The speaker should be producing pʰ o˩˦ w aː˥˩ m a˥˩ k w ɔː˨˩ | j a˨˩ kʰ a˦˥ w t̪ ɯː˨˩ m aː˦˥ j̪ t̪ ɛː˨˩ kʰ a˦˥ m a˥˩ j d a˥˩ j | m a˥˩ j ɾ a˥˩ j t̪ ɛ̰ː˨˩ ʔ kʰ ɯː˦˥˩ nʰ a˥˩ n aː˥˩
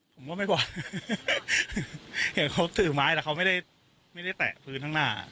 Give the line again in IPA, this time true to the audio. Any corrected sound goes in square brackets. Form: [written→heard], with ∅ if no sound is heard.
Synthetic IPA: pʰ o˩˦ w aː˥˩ m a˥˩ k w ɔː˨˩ | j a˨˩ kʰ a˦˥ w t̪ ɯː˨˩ m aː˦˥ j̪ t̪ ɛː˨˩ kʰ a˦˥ m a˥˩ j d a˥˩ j | m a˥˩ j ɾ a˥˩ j t̪ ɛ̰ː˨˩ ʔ [kʰ→pʰ] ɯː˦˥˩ nʰ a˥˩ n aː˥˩